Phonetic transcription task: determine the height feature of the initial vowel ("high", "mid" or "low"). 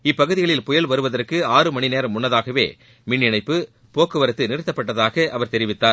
high